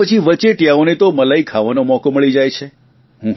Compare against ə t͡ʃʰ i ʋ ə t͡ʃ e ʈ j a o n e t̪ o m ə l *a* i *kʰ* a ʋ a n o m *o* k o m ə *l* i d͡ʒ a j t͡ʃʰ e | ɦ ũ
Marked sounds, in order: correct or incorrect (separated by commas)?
correct, correct, incorrect, incorrect